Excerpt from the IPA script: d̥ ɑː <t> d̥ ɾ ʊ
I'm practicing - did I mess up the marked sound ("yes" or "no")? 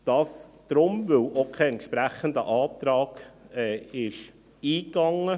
yes